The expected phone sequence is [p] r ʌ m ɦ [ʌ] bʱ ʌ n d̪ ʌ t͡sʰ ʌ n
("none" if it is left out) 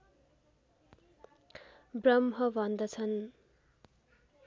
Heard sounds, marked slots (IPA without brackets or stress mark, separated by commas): b, ʌ